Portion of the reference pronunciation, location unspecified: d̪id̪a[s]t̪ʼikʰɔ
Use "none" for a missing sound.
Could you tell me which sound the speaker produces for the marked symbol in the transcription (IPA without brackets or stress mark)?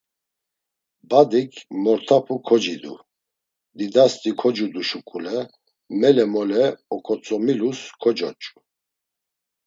s